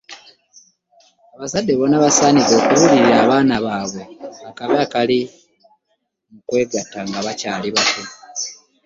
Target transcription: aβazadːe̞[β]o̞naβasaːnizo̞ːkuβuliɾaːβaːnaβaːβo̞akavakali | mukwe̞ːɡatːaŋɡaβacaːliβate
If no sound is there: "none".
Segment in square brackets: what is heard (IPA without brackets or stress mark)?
β